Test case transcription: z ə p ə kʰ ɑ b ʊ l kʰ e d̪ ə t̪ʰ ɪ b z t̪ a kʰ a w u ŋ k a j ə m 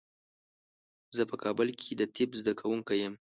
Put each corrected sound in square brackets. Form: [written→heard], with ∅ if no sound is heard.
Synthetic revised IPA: z ə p ə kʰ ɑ b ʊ l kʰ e d̪ ə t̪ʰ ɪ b z [t̪→d̪] a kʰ a w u ŋ k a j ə m